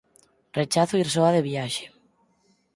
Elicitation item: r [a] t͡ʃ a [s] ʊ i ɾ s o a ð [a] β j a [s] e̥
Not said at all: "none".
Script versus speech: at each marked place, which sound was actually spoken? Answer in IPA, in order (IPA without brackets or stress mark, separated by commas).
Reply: e, θ, e, ʃ